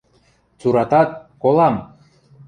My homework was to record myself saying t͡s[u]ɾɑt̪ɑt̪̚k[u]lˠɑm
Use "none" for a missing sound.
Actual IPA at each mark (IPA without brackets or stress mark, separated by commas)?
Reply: u, o